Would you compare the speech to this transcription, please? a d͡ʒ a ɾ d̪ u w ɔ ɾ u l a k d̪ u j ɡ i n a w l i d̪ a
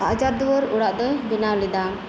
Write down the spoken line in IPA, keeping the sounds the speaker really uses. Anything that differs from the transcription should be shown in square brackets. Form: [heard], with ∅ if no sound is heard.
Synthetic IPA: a d͡ʒ a ɾ d̪ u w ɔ ɾ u [ɽ] a [ʔ] d̪ [ɔ] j [b] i n a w l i d̪ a